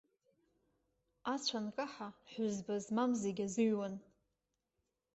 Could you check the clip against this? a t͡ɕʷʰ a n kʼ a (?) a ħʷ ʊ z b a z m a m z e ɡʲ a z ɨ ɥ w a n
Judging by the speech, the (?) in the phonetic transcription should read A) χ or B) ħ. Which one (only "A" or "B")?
B